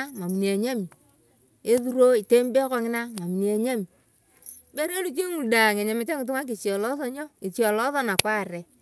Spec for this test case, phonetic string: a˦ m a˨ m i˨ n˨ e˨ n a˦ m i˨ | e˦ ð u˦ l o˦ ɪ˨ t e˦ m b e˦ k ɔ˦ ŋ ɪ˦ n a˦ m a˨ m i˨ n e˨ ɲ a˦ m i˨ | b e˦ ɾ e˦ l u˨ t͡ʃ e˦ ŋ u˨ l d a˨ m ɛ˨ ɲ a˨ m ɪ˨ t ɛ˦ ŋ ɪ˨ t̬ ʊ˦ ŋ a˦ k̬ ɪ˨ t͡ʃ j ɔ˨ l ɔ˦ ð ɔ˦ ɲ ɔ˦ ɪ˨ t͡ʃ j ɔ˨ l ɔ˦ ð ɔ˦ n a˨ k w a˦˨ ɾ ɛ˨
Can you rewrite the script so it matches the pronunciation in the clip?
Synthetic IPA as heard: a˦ m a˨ m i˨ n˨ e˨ ɲ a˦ m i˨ | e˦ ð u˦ ɾ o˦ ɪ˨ t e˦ m b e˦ k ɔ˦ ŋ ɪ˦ n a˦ m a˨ m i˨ n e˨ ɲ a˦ m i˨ | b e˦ ɾ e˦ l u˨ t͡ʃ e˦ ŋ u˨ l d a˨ ŋ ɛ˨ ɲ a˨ m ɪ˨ t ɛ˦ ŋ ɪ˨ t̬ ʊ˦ ŋ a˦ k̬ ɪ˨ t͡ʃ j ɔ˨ l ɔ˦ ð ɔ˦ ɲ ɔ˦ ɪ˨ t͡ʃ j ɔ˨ l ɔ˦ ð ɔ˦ n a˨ k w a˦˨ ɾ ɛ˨